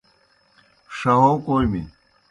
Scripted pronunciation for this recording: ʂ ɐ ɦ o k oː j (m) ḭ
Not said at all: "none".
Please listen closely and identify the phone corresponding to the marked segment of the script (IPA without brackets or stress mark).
m